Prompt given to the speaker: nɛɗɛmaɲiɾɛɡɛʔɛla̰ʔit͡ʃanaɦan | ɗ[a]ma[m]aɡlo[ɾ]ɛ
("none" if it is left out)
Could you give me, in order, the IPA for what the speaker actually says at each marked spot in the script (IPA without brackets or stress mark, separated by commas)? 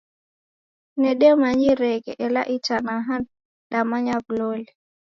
a, ɲ, l